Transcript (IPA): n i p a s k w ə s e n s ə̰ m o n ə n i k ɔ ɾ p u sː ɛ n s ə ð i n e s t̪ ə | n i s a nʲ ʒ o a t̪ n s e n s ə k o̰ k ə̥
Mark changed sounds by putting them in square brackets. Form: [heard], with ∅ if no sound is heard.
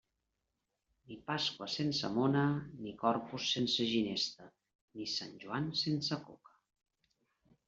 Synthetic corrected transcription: n i p a s k w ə s e n s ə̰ m o n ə n i k ɔ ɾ p u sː [e] n s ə [ʒ] i n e s t̪ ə | n i s a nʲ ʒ [u] a [∅] n s e n s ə k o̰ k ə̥